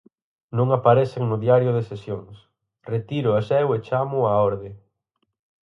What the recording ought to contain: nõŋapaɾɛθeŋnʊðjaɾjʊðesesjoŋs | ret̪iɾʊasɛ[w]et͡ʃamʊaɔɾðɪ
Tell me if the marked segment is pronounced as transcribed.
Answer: yes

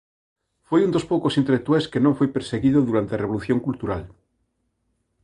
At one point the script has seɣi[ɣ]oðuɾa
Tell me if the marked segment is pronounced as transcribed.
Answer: no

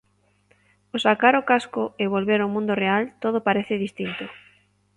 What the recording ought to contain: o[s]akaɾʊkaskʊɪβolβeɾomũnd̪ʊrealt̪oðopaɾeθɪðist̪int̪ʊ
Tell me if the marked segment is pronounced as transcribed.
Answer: yes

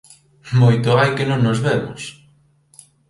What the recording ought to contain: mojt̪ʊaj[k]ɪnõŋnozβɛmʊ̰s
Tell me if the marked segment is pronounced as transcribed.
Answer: yes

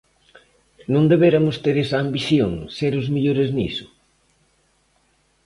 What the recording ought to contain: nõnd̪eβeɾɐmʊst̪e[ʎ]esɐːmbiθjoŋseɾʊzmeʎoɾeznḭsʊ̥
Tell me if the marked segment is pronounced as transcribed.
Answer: no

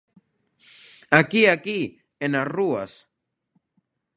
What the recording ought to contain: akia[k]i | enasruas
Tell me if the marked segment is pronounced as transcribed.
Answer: yes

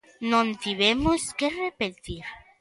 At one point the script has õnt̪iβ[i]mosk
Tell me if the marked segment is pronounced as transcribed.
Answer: no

